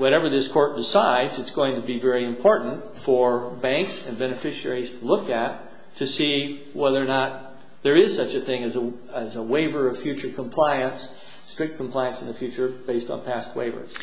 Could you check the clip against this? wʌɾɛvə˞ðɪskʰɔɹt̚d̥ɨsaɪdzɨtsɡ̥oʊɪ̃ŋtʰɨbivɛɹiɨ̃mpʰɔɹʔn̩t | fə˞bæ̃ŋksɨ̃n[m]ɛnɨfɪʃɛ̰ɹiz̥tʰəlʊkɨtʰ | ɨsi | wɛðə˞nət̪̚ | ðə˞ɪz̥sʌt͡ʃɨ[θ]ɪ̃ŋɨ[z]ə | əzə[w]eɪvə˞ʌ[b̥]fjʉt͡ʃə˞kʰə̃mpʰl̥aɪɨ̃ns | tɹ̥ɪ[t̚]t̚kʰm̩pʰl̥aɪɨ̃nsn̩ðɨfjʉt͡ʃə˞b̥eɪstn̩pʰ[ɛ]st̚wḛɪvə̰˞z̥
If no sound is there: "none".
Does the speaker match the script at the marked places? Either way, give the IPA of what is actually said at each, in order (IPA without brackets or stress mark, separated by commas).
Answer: b, θ, z, w, v̥, k̚, æ